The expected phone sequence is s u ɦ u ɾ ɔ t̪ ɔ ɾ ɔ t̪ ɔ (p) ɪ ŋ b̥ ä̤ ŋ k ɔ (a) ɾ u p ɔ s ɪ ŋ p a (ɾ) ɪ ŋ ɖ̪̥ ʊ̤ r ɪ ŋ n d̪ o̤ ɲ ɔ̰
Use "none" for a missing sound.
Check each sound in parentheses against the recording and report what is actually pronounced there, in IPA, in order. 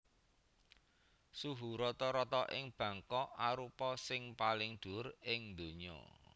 ʔ, a, l

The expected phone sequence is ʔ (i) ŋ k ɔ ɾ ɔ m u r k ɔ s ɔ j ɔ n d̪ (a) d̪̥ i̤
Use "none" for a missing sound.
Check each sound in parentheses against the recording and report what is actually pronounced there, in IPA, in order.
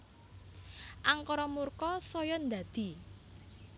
a, a

